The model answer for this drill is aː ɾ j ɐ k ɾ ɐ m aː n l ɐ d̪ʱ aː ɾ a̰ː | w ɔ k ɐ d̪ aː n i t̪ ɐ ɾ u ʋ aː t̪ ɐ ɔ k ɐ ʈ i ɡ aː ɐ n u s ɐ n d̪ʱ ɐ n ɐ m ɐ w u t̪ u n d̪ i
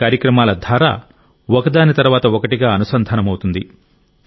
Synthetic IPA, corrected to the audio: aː ɾ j ɐ k ɾ ɐ m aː l ɐ d̪ʱ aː ɾ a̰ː | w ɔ k ɐ d̪ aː n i t̪ ɐ ɾ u ʋ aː t̪ ɐ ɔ k ɐ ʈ i ɡ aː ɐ n u s ɐ n d̪ʱ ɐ n ɐ m ɐ w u t̪ u n d̪ i

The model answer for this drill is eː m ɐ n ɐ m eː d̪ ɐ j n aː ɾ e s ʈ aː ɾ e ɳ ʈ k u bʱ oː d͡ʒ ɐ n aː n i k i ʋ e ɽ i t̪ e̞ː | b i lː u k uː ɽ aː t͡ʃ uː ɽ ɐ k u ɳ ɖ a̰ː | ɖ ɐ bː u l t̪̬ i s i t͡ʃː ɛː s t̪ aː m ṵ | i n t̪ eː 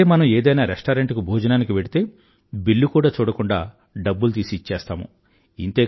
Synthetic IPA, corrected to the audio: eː m ɐ n ɐ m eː d̪ ɐ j n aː ɾ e s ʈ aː ɾ e ɳ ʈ k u bʱ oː d͡ʒ ɐ n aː n i k i ʋ e ɽ i t̪ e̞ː | b i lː u k uː ɽ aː t͡ʃ uː ɽ ɐ k u ɳ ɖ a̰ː | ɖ ɐ bː u l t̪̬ iː s i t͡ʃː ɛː s t̪ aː m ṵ | i n t̪ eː

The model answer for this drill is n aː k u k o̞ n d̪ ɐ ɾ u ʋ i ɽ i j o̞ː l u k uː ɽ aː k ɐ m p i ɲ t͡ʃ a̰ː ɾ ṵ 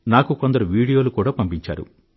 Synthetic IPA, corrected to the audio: n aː k u k o̞ n d̪ ɐ ɾ u ʋ iː ɽ i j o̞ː l u k uː ɽ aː p ɐ m p i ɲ t͡ʃ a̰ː ɾ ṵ

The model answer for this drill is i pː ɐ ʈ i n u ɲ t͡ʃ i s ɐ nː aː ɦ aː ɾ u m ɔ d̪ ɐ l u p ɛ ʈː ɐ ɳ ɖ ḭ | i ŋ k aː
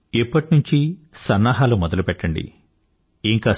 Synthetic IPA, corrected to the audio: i pː ɐ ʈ i n u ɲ t͡ʃ i s ɐ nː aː ɦ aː l u m ɔ d̪ ɐ l u p ɛ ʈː ɐ ɳ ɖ ḭ | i ŋ k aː

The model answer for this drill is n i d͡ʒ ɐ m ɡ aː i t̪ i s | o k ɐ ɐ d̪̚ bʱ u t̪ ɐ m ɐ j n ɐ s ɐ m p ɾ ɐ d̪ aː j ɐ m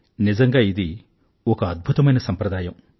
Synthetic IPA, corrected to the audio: n i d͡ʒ ɐ ŋ ɡ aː i d̪ i | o k ɐ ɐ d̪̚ bʱ u t̪ ɐ m ɐ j n ɐ s ɐ m p ɾ ɐ d̪ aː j ɐ m

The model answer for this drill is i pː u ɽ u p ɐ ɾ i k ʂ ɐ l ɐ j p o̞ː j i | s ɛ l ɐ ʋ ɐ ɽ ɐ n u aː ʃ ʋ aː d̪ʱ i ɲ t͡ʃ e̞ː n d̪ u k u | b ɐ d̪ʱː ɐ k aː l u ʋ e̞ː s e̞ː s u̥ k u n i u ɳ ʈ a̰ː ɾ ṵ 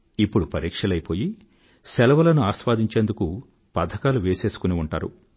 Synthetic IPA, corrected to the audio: i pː u ɽ u p ɐ ɾ iː k ʂ ɐ l ɐ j p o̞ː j i | s ɛ l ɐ ʋ ɐ l ɐ n u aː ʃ ʋ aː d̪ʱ i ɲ t͡ʃ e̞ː n d̪ u k u | p ɐ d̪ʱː ɐ k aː l u ʋ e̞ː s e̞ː s u̥ k u n i u ɳ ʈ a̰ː ɾ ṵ

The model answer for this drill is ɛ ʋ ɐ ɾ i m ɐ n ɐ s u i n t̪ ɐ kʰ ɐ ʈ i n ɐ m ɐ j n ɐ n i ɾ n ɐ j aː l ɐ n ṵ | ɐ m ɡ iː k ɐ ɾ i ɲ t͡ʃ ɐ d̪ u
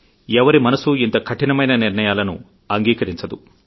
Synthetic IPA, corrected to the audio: ɛ ʋ ɐ ɾ i m ɐ n ɐ s u i n t̪ ɐ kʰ ɐ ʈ i n ɐ m ɐ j n ɐ n i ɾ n ɐ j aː l ɐ n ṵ | ɐ ŋ ɡ iː k ɐ ɾ i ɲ t͡ʃ ɐ d̪ u

